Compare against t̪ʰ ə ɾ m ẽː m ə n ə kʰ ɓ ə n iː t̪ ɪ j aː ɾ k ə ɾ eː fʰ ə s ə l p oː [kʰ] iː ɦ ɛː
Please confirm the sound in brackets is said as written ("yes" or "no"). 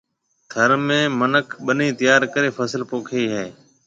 yes